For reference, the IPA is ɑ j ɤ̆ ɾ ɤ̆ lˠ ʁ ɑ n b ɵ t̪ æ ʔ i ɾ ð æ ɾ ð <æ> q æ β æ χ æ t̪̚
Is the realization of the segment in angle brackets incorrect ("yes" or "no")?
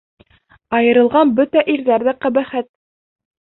no